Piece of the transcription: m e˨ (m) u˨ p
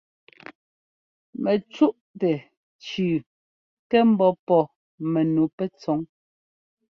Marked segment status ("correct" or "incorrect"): incorrect